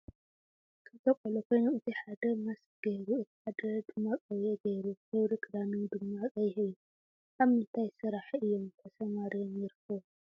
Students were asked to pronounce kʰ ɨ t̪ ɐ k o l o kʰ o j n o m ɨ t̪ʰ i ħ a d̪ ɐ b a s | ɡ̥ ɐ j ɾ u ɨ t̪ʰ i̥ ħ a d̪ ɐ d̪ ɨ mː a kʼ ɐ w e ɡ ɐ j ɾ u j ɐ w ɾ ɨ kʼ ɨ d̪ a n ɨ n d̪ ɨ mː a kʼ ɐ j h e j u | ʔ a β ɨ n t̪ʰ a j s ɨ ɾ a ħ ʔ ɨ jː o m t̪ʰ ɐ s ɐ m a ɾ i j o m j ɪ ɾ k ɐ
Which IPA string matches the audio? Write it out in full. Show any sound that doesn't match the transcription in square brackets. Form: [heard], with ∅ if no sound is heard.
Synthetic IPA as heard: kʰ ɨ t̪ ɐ [kʼ] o l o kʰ o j n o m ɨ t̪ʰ i ħ a d̪ ɐ [m] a s | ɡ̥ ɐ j ɾ u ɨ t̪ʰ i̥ ħ a d̪ ɐ d̪ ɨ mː a kʼ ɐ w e ɡ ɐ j ɾ u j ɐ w ɾ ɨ kʼ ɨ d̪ a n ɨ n d̪ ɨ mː a kʼ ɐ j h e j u | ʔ a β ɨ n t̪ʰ a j s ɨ ɾ a ħ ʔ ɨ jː o m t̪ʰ ɐ s ɐ m a ɾ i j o m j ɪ ɾ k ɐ